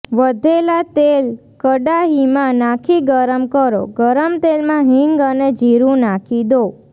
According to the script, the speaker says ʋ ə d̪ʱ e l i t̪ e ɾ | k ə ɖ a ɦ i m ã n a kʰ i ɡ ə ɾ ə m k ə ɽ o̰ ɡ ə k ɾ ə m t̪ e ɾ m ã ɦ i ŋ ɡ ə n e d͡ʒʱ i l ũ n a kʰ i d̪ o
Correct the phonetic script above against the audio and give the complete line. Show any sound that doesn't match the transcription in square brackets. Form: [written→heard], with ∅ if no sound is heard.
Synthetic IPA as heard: ʋ ə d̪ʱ e l [i→a] t̪ e [ɾ→l] | k ə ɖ a ɦ i m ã n a kʰ i ɡ ə ɾ ə m k ə [ɽ→ɾ] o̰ ɡ ə [k→∅] ɾ ə m t̪ e [ɾ→l] m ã ɦ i ŋ ɡ ə n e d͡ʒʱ i [l→ɾ] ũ n a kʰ i d̪ o